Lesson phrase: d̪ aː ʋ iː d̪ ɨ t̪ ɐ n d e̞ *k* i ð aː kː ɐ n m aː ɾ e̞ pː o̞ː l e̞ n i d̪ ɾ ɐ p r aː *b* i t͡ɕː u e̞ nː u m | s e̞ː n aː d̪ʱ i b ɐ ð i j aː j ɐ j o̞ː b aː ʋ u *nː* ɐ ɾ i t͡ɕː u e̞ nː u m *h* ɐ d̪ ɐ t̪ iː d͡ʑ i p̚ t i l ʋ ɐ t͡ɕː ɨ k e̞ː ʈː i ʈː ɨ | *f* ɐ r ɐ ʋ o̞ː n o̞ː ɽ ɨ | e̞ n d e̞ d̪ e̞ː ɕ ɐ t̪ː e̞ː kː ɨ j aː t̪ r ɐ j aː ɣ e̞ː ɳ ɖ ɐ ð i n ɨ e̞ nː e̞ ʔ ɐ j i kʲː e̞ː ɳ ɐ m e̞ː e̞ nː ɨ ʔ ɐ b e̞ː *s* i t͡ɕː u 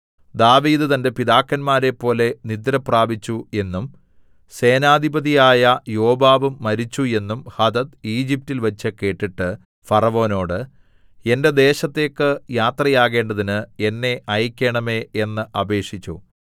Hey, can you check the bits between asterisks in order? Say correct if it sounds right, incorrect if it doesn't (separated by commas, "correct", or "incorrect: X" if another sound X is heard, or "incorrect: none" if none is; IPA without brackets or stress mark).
incorrect: p, correct, incorrect: mː, correct, correct, incorrect: ʂ